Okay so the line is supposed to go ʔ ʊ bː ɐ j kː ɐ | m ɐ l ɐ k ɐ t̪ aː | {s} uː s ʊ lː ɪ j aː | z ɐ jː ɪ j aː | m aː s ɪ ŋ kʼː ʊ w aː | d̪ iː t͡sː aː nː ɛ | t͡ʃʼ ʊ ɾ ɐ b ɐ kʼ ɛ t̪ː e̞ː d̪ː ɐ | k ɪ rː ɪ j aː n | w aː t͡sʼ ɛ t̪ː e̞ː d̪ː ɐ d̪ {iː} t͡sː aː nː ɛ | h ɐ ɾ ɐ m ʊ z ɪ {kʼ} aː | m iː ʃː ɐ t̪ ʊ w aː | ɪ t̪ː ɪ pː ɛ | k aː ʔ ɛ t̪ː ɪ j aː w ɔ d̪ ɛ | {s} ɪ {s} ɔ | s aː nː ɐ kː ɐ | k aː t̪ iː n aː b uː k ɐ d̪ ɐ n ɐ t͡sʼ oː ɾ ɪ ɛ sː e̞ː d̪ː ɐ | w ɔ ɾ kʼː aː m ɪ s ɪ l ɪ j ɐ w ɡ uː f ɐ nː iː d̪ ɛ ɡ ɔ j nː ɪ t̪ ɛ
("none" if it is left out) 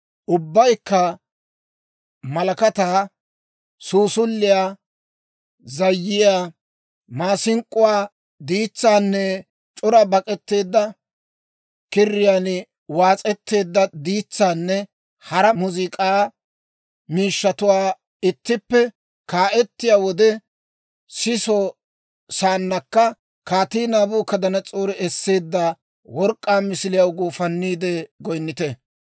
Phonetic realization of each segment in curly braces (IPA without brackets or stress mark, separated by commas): s, iː, kʼ, s, s